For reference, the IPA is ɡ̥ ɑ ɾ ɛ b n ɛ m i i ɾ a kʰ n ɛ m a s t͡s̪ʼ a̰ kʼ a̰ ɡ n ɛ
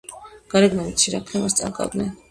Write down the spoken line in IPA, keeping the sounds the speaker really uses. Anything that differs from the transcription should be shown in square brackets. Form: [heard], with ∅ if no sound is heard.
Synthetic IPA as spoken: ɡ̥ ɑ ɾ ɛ [ɡ] n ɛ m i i ɾ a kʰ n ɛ m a s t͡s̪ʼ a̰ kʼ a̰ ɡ n ɛ